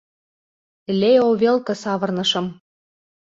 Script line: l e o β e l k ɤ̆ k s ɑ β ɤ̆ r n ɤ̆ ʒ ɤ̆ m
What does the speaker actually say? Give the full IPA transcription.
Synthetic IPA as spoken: l e o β e l k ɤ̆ s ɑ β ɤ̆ r n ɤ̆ ʃ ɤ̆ m